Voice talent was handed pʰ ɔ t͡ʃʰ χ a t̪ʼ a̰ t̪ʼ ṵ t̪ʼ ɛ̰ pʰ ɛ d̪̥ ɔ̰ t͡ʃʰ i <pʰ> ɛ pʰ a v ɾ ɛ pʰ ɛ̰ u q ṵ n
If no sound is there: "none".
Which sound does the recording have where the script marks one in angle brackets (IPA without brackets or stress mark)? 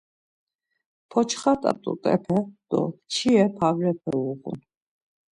none